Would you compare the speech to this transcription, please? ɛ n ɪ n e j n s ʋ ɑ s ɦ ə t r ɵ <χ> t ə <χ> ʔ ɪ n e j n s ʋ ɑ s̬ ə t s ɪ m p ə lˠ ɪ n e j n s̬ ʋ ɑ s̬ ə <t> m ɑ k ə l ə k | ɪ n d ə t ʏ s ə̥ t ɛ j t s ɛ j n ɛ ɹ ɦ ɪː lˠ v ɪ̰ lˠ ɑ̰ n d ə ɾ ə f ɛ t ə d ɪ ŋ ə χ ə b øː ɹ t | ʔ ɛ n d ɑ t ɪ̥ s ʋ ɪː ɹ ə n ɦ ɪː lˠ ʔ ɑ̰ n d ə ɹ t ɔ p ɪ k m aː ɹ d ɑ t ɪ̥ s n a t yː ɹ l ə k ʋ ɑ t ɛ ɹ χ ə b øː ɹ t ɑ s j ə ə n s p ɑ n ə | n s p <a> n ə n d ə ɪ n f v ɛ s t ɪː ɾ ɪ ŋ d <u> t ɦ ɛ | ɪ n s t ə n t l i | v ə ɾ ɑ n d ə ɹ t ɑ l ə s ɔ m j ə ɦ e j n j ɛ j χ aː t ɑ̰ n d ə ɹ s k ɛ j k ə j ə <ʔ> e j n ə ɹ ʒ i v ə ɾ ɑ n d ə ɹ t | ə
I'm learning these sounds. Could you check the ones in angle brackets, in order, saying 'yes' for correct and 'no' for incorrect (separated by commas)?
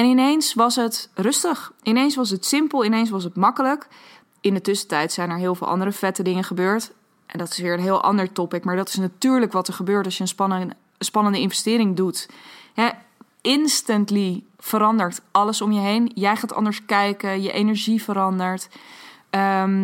no, yes, yes, no, yes, yes